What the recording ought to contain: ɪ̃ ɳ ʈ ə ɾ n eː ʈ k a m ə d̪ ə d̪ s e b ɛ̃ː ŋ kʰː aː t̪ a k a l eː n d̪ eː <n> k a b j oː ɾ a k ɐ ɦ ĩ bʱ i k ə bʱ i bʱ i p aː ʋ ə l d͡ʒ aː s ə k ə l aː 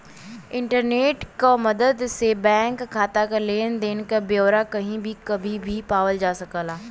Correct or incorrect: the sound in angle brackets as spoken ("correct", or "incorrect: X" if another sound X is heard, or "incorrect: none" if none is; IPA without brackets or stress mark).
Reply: correct